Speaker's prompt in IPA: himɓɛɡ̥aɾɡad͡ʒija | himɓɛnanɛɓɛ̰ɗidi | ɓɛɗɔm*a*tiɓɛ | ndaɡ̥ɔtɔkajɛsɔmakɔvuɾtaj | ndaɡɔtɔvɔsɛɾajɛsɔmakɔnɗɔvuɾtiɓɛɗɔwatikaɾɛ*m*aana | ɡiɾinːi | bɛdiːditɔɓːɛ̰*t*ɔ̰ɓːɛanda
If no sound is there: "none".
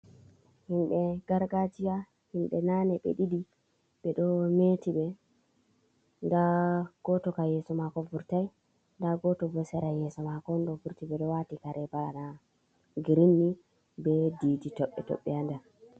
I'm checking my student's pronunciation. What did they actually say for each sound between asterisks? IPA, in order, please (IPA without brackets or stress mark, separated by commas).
e, b, t